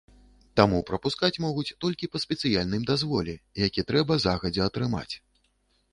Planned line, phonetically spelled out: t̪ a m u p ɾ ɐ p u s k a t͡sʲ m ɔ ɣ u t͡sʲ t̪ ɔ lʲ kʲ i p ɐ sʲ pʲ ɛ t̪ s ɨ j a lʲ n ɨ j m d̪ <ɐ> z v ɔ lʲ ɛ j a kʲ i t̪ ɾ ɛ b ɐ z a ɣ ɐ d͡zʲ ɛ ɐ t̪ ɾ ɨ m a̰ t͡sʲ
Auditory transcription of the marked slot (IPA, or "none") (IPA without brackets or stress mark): a